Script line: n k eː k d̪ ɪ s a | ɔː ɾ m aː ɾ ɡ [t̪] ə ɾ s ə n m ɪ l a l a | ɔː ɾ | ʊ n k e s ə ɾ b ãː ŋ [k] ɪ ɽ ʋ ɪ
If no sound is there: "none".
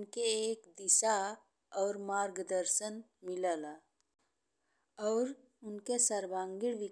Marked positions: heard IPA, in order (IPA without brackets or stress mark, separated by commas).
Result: d̪, ɡ